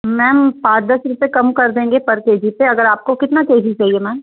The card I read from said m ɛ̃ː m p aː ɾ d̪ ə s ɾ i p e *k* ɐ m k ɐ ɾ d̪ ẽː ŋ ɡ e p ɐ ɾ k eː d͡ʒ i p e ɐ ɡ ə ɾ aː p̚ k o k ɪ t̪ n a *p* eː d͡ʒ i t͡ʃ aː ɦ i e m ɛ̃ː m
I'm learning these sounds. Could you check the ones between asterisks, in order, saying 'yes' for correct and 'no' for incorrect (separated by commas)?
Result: yes, no